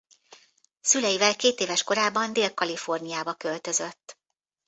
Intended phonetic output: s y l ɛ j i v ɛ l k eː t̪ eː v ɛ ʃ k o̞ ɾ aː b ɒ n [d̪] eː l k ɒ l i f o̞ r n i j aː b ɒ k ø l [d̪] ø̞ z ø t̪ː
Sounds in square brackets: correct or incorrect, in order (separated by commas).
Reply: correct, incorrect